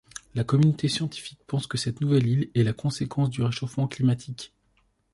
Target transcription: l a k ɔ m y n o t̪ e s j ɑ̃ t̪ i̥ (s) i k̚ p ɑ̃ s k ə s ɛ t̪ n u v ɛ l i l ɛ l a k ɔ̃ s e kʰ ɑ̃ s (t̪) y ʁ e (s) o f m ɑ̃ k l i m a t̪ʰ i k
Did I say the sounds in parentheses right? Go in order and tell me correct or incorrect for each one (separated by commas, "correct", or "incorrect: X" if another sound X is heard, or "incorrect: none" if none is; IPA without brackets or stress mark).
incorrect: f, incorrect: d̪, incorrect: ʃ